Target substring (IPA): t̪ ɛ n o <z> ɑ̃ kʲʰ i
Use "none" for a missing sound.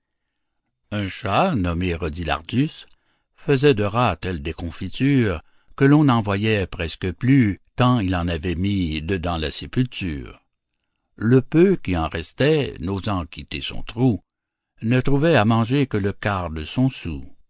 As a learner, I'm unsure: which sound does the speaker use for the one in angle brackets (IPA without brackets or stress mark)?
z